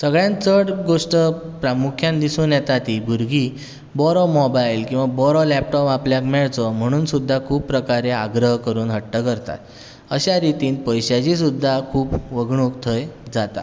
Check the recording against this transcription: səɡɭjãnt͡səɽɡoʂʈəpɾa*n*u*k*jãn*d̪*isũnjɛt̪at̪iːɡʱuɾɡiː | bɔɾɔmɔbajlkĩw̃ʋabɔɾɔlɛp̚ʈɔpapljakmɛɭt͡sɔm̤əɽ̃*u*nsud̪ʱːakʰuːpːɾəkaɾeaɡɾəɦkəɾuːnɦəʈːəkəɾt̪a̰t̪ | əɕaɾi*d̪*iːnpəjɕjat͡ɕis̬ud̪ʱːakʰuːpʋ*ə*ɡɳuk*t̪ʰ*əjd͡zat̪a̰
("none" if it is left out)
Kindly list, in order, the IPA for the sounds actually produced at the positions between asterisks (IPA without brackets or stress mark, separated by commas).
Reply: m, kʰ, d̪, uː, t̪, ə, t̪ʰ